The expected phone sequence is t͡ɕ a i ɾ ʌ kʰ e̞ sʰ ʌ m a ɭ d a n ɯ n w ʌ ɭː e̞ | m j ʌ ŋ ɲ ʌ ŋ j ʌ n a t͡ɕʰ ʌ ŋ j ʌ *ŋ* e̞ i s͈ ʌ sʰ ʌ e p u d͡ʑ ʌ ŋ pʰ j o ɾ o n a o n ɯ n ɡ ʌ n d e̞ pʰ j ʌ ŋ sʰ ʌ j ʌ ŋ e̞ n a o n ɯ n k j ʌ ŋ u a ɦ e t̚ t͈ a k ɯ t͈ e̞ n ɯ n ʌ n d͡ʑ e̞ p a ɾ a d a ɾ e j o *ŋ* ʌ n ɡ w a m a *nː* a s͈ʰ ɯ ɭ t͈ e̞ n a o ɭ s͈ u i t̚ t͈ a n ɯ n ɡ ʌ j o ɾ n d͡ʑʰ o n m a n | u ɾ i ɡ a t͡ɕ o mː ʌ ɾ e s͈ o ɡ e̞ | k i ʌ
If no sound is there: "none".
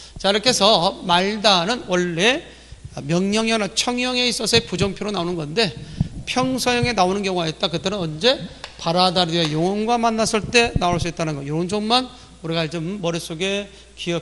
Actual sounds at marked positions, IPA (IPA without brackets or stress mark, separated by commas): ŋ, ŋ, nː